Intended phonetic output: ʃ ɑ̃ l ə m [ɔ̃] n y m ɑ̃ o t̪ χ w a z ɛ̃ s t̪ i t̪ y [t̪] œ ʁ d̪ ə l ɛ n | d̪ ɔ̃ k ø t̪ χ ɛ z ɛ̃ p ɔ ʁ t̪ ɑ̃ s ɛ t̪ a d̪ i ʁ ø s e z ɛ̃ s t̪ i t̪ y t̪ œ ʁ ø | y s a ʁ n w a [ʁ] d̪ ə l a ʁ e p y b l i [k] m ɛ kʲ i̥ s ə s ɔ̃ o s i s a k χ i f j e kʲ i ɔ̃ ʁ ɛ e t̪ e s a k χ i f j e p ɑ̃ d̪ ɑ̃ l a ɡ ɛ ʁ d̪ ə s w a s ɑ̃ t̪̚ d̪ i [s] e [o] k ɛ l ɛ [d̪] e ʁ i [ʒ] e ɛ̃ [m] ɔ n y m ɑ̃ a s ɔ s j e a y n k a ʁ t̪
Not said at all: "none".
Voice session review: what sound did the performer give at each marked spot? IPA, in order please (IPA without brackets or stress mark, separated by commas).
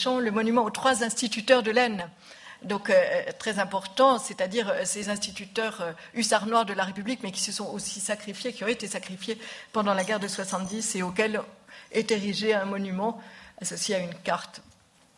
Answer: ɔ, t̪, ʁ, k, s, o, t̪, ʒ, m